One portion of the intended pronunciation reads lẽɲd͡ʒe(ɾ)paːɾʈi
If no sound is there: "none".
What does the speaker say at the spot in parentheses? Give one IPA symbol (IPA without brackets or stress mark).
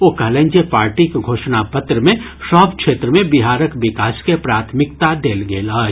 none